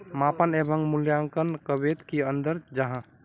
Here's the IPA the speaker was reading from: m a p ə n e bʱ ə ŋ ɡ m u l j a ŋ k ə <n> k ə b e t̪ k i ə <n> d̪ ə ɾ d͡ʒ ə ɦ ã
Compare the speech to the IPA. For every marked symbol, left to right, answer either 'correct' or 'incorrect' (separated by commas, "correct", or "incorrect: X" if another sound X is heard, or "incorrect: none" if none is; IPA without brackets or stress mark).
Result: correct, correct